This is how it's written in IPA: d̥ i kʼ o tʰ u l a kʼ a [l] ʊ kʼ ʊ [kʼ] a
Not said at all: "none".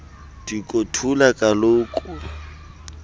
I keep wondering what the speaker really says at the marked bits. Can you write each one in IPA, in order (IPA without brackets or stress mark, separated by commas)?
l, none